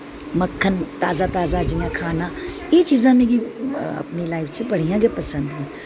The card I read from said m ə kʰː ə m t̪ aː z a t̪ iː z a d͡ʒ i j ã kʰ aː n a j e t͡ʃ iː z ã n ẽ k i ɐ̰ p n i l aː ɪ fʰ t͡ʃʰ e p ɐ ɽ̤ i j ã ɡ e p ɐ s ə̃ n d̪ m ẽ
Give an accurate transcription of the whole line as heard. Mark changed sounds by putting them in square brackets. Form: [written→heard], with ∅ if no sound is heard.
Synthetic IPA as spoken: m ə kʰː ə [m→n] t̪ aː z a t̪ [iː→aː] z a d͡ʒ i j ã kʰ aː n a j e t͡ʃ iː z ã [n→m] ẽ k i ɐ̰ p n i l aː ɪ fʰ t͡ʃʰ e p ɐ ɽ̤ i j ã ɡ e p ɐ s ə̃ n d̪ m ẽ